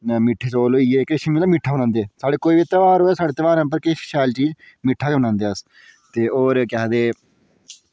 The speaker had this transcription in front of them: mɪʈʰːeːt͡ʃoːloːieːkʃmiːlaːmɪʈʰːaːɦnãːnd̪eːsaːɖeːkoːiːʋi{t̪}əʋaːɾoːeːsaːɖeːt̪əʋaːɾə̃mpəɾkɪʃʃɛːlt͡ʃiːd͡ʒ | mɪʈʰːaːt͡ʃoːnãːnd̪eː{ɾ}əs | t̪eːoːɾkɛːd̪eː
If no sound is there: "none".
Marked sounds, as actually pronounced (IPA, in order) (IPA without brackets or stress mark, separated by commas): t̪, none